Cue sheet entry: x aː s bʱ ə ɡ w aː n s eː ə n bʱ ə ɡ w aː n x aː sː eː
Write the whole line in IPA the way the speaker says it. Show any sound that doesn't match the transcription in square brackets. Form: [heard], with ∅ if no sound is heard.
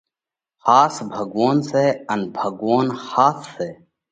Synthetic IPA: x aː s bʱ ə ɡ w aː n s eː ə n bʱ ə ɡ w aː n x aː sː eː